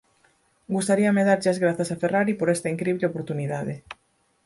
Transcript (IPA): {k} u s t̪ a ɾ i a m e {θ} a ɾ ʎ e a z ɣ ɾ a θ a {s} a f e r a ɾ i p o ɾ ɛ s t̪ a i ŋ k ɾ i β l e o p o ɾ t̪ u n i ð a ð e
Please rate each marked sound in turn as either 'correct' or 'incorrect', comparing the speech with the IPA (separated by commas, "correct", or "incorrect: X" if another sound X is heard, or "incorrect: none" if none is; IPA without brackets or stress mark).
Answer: incorrect: ɡ, incorrect: ð, correct